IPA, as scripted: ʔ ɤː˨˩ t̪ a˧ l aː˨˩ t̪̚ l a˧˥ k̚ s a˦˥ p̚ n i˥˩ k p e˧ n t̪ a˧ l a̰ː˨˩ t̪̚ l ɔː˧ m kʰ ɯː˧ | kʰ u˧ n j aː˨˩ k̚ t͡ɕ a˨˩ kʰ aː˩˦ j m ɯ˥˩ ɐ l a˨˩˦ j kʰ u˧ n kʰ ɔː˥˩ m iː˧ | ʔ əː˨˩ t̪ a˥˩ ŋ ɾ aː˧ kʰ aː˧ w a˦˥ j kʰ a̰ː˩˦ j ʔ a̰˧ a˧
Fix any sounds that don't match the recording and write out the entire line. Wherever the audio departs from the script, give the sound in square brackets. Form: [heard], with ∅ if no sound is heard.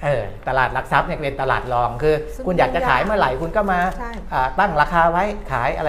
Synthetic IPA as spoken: ʔ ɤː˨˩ t̪ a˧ l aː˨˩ t̪̚ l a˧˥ k̚ s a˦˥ p̚ n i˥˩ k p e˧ n t̪ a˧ l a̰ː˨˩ t̪̚ l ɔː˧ [ŋ] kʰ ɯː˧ | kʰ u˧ n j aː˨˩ k̚ t͡ɕ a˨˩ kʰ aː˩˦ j m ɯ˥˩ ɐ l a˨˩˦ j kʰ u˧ n [k] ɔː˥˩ m [aː˧] | ʔ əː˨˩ t̪ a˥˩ ŋ ɾ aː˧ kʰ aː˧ w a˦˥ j kʰ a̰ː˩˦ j ʔ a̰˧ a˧